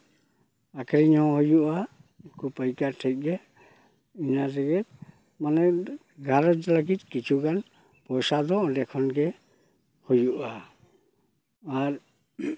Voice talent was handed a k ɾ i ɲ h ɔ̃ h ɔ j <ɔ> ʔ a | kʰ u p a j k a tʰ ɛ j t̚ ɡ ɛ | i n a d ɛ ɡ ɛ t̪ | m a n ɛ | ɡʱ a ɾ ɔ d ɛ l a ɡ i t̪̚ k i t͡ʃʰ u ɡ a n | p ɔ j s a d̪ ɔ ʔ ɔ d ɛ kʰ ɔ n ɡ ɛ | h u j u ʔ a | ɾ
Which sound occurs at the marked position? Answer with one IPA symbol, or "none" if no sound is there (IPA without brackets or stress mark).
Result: u